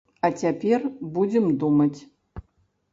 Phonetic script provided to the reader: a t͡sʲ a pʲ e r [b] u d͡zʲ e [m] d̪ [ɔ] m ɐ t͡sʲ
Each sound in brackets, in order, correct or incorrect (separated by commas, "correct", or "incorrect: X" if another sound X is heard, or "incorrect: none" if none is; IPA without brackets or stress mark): correct, correct, incorrect: u